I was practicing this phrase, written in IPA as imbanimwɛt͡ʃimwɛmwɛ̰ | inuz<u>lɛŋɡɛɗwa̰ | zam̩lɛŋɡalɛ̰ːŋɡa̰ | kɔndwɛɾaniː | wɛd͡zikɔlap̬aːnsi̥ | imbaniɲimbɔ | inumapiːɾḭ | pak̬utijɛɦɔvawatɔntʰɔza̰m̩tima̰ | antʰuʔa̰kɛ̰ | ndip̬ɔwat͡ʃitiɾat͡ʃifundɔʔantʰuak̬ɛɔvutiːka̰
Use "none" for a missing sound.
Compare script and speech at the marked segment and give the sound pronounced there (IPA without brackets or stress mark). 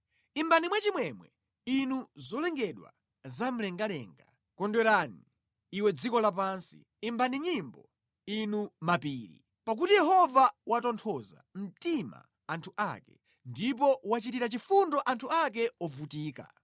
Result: ɔ